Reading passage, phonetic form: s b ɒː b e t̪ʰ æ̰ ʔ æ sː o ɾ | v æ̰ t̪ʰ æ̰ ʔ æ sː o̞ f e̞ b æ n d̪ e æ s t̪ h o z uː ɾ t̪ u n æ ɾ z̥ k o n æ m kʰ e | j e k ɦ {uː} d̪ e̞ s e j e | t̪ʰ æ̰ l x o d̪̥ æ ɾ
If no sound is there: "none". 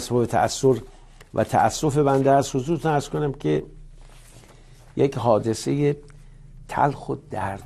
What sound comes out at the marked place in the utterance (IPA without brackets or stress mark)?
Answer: ɒː